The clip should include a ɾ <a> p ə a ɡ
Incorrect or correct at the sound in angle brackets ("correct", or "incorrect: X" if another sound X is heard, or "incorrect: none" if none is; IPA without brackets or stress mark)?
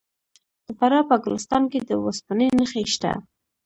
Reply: incorrect: ɑ